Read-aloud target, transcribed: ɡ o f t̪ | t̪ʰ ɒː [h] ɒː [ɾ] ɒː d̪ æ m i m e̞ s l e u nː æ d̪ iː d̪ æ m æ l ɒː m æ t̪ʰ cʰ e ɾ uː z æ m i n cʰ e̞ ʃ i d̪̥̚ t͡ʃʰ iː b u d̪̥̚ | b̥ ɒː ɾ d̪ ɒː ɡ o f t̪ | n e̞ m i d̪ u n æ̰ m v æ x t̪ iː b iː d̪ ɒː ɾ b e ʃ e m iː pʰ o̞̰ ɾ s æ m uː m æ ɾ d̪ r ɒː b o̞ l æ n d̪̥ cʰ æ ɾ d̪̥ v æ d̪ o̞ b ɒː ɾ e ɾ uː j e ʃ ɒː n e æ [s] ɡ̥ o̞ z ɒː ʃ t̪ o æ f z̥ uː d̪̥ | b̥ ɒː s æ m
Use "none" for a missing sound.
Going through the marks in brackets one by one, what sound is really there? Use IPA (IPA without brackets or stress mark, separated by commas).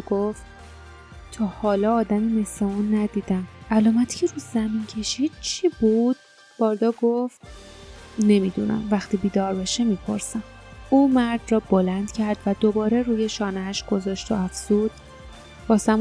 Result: h, l, ʃ